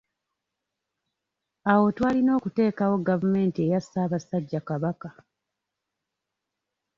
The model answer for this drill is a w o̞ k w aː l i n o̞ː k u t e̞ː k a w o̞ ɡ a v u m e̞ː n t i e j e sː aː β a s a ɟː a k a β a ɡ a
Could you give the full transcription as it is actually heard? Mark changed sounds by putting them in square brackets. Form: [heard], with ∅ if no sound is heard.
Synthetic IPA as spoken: a w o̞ [t] w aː l i n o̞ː k u t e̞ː k a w o̞ ɡ a v u m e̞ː n t i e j [a] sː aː β a s a ɟː a k a β a [k] a